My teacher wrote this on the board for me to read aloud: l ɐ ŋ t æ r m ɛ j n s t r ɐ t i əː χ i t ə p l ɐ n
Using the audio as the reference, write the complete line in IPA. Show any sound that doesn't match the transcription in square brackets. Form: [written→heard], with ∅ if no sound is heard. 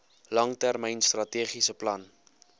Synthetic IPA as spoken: l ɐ ŋ t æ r m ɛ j n s t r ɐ t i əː χ i [t→s] ə p l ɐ n